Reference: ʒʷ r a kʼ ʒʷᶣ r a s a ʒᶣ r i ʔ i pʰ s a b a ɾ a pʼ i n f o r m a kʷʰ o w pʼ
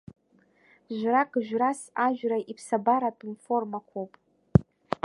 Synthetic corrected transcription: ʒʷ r a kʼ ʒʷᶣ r a s a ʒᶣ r a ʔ i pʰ s a b a ɾ a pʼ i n f o r m a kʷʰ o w pʼ

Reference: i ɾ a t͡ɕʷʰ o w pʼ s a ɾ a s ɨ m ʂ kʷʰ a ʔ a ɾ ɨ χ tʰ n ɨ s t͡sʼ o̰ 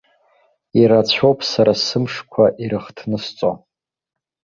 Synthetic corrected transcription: i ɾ a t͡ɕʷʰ o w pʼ s a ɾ a s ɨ m ʂ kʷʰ a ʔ i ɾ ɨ χ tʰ n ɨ s t͡sʼ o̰

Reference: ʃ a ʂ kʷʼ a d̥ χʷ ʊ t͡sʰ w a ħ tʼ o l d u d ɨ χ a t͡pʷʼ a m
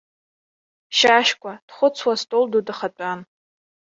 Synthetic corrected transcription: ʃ a ʃ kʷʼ a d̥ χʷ ʊ t͡sʰ w a s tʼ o l d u d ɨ χ a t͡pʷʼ a n

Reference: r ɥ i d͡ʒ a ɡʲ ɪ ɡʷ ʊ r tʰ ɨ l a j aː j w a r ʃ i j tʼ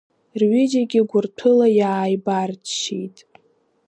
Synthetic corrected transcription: r ɥ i d͡ʒ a ɡʲ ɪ ɡʷ ʊ r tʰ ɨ l a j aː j b a r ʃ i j tʼ

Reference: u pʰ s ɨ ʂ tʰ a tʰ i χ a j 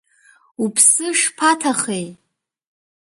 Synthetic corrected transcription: u pʰ s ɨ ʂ pʰ a tʰ a χ e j

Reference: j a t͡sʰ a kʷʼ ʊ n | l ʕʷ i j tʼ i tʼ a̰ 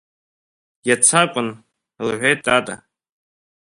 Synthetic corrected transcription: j a t͡sʰ a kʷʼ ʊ n | l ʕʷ e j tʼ a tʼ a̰

